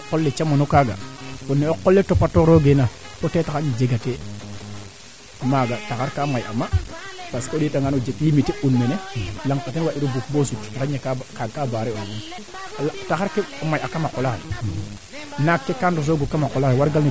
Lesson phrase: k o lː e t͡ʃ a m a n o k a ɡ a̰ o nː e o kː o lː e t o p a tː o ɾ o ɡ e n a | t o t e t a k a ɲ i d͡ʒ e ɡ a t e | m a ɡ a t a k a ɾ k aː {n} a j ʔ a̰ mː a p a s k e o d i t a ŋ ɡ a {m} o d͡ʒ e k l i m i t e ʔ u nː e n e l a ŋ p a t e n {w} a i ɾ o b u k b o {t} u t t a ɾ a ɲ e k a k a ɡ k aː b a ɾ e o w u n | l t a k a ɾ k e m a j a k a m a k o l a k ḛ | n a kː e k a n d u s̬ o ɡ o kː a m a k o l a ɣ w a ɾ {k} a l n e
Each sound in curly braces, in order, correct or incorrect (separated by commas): incorrect, incorrect, correct, incorrect, incorrect